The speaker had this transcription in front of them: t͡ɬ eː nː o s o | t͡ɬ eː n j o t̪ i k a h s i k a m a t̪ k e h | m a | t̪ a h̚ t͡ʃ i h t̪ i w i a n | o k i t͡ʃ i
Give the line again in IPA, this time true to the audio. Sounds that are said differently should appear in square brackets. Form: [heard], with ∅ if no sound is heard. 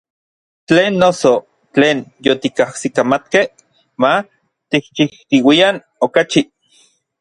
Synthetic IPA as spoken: t͡ɬ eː nː o s o | t͡ɬ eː n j o t̪ i k a h s i k a m a t̪ k e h | m a | t̪ [i] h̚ t͡ʃ i h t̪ i w i a n | o k [a] t͡ʃ i